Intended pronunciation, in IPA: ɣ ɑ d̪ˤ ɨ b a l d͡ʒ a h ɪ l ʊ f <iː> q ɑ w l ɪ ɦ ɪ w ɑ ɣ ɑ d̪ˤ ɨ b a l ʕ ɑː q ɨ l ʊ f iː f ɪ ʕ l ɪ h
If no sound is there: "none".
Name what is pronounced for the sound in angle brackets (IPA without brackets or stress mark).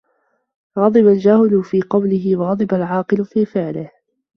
iː